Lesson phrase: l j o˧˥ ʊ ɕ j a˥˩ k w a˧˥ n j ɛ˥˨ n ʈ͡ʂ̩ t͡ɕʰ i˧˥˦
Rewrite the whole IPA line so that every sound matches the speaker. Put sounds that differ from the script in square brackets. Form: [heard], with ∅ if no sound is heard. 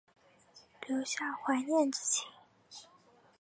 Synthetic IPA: l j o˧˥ ʊ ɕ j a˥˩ [x] w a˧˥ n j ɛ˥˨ n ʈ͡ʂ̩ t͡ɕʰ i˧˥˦